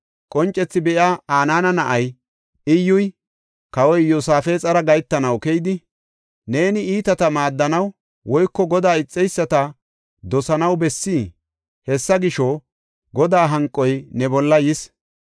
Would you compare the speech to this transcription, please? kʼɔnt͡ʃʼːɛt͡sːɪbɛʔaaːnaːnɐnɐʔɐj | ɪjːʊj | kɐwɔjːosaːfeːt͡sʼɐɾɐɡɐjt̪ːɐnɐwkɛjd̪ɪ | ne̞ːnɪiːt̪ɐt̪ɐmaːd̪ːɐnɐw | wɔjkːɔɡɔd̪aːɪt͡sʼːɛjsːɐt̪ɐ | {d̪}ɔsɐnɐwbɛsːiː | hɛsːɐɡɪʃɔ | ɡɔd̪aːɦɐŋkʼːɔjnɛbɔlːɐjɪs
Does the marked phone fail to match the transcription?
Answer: no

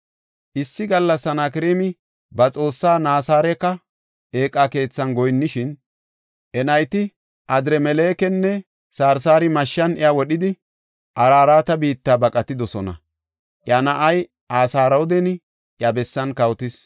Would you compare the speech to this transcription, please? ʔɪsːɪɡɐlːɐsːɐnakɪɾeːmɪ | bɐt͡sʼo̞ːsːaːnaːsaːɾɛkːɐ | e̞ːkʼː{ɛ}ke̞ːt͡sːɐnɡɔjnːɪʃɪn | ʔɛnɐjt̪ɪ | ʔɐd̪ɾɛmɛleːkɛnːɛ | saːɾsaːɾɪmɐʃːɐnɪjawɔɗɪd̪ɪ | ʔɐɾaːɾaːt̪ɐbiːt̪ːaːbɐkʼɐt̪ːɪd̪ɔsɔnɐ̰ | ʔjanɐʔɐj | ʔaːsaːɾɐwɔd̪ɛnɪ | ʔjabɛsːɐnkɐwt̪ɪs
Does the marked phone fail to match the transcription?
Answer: yes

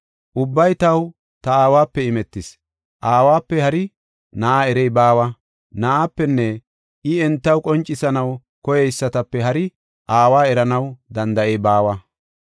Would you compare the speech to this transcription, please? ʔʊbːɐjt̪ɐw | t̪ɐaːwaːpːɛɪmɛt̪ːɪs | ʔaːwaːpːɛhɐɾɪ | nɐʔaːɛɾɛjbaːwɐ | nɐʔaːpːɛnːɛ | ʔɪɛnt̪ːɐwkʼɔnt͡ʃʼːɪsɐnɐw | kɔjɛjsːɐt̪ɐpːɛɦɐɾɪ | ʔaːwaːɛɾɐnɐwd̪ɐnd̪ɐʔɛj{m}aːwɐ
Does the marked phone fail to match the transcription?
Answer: yes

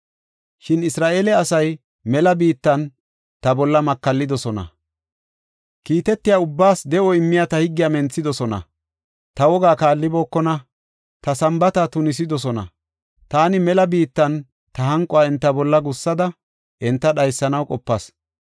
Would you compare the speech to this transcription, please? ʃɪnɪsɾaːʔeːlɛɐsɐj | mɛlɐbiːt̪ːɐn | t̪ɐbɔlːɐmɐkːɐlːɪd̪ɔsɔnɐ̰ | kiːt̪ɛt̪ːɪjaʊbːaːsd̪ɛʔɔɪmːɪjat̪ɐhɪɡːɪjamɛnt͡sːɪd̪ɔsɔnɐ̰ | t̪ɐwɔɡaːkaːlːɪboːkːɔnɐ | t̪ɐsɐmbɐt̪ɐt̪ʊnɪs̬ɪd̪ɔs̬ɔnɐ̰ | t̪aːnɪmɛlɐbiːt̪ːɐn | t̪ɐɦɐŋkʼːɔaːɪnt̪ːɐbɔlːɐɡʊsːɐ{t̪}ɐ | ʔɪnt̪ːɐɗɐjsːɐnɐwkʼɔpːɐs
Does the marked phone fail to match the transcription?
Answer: yes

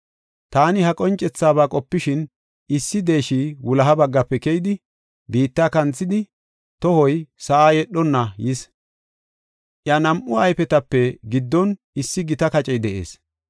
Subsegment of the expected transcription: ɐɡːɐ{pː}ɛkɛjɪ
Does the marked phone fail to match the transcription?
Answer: no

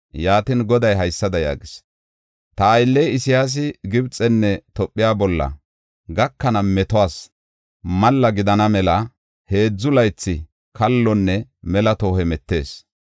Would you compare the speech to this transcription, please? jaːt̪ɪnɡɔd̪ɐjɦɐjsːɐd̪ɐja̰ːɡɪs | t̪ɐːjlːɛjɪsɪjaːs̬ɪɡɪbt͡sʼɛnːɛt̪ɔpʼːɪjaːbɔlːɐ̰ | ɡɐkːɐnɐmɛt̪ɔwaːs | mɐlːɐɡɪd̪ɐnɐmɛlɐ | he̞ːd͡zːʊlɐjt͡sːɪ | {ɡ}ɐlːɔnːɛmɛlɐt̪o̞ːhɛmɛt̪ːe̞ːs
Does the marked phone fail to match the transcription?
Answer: yes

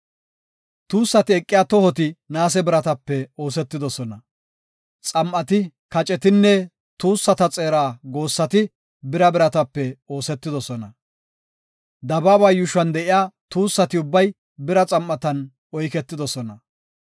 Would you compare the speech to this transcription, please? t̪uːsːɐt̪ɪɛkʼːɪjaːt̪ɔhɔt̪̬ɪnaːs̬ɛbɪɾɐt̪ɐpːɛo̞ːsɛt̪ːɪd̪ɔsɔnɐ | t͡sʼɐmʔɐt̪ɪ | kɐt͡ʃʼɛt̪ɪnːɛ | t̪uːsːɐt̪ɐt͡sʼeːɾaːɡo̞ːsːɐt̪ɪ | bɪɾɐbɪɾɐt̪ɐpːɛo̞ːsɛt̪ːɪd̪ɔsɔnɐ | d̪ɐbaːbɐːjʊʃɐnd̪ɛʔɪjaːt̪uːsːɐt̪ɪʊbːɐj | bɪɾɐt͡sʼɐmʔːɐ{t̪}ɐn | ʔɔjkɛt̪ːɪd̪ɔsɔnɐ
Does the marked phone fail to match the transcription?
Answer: no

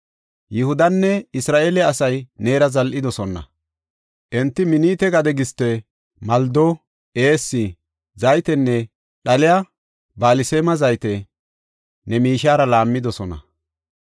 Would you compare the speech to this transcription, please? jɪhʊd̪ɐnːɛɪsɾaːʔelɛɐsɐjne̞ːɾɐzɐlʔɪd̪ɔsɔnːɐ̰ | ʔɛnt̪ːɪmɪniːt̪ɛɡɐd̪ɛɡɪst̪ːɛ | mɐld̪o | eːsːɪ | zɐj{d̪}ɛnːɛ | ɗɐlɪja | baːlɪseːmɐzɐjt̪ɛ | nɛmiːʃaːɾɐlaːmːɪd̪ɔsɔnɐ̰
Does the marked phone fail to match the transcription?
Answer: yes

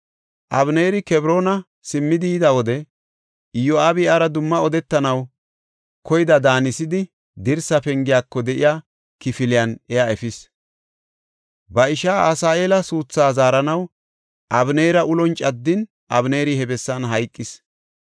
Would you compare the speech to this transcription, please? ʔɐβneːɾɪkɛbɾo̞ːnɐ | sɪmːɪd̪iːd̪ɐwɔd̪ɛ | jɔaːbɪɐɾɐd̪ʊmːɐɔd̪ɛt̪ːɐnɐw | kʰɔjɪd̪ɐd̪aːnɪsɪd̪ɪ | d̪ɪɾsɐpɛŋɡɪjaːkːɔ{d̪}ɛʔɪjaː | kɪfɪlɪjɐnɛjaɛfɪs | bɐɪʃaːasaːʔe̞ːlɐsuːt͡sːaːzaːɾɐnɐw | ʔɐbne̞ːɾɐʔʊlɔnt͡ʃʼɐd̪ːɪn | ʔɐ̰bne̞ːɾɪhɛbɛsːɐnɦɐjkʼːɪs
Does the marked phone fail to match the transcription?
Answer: no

